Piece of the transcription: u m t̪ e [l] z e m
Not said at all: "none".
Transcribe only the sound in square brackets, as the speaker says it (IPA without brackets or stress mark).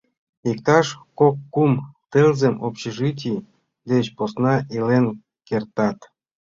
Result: l